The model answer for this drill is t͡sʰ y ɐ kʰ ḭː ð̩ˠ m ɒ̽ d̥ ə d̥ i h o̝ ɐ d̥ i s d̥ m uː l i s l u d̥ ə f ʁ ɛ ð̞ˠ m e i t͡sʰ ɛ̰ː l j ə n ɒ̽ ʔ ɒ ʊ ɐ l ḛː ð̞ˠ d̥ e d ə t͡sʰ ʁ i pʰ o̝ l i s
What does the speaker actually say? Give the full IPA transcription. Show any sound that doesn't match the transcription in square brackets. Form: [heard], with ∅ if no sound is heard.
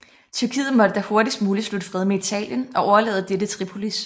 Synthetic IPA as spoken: t͡sʰ y ɐ kʰ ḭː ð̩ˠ m ɒ̽ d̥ ə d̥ [æ] h o̝ ɐ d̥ i s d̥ m uː l i s l u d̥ ə f ʁ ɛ ð̞ˠ m e i t͡sʰ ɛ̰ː l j ə n ɒ̽ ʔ ɒ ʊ ɐ l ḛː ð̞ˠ d̥ e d ə t͡sʰ ʁ i pʰ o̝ l i s